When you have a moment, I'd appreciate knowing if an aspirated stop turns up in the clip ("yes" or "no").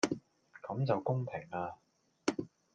yes